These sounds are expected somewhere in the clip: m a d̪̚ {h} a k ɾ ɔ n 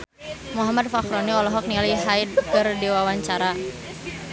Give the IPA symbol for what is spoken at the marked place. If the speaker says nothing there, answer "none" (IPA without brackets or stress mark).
f